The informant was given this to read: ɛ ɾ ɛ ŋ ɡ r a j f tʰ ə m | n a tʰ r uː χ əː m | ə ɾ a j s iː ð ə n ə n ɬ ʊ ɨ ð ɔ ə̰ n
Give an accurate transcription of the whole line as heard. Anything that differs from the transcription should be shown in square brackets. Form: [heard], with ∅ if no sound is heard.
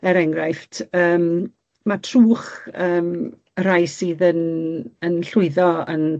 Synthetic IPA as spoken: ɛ ɾ ɛ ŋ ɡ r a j f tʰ [əː] m | [m] a tʰ r uː χ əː m | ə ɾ a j s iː ð ə n ə n ɬ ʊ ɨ ð ɔ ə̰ n